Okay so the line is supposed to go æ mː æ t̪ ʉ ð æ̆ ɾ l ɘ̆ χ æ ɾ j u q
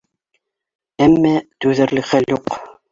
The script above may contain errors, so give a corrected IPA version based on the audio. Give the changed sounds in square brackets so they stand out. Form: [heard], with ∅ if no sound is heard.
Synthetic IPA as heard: æ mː æ t̪ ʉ ð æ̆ ɾ l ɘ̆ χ æ [l] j u q